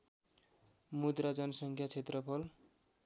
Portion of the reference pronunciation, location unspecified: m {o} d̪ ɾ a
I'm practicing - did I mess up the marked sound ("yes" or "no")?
yes